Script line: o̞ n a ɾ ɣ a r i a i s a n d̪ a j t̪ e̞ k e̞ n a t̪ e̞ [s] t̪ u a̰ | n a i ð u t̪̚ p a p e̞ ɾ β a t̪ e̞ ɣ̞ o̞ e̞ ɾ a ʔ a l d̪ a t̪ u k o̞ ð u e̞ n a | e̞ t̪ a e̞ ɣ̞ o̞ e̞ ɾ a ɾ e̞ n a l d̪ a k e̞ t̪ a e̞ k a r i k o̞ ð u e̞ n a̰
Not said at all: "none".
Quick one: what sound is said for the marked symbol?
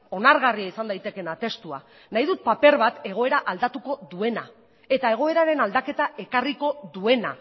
s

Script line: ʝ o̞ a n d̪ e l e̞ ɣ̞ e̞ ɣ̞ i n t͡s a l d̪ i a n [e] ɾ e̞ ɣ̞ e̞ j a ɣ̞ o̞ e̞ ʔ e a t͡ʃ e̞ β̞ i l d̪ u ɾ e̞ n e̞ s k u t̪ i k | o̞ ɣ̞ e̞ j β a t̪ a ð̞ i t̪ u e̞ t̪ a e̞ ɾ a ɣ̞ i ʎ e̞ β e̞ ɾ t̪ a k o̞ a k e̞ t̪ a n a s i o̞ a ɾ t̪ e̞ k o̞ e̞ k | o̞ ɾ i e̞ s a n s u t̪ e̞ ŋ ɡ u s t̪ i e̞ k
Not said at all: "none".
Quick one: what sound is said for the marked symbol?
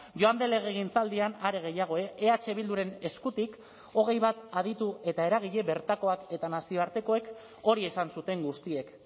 a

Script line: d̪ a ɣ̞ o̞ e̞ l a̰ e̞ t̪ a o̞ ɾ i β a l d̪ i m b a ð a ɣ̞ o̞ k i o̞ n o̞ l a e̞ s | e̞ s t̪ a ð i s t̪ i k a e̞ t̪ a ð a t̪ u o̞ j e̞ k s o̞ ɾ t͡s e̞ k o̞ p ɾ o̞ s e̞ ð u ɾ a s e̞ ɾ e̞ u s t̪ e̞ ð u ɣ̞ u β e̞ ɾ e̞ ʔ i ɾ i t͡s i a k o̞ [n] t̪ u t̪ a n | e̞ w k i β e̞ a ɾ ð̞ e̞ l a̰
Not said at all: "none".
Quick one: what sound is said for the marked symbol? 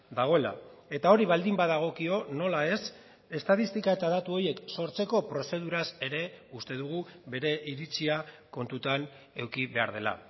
n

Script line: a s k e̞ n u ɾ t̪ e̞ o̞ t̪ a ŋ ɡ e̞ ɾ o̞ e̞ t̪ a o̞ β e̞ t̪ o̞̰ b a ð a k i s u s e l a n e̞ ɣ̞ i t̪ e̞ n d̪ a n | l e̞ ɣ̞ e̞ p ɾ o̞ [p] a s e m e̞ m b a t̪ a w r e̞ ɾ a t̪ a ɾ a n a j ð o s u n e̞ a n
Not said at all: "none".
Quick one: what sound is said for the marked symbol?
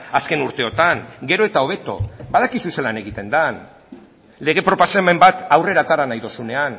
p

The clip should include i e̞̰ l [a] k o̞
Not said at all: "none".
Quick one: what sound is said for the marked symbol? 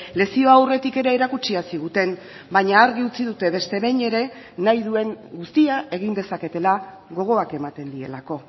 a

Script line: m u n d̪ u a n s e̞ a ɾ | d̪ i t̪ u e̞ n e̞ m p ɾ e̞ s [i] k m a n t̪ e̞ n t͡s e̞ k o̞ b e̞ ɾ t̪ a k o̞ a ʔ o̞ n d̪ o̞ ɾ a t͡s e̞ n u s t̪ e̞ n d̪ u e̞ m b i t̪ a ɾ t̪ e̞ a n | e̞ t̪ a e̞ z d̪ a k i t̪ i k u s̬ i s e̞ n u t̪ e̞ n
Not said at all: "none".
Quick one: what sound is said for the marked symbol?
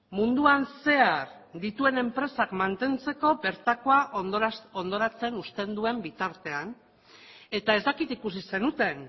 a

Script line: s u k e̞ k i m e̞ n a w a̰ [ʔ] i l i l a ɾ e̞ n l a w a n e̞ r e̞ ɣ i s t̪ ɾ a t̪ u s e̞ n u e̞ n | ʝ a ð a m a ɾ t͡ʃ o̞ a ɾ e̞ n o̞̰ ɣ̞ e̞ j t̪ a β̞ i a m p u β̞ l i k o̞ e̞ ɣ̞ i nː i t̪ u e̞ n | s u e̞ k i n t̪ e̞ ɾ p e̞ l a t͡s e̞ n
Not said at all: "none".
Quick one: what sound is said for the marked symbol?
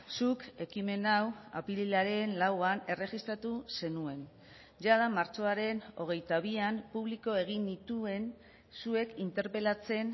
p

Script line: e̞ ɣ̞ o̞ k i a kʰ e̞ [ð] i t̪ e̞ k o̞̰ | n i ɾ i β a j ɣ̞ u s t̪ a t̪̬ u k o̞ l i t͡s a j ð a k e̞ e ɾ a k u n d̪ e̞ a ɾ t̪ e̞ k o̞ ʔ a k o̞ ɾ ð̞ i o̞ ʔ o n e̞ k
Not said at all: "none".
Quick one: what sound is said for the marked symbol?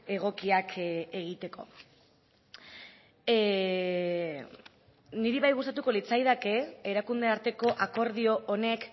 ɣ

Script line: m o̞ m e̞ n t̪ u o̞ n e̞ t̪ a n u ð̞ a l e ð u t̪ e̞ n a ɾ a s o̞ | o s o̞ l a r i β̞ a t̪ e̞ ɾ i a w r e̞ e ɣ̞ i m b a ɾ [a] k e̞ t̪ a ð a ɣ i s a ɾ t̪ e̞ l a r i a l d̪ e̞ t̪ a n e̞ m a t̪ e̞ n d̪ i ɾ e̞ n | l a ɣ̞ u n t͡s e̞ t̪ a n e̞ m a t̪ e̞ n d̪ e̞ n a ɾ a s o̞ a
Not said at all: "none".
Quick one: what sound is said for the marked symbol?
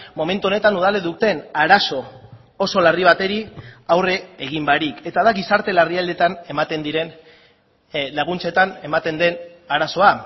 i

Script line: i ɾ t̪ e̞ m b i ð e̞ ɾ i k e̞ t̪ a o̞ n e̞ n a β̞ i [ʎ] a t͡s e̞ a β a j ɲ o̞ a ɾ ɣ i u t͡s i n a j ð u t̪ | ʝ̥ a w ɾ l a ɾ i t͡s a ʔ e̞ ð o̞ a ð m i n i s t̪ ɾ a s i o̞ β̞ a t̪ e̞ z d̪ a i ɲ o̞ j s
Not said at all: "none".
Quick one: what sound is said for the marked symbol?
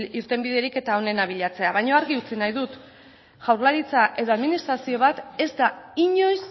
ʎ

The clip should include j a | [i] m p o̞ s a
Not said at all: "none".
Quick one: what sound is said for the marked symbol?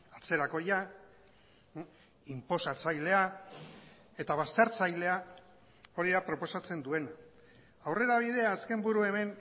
i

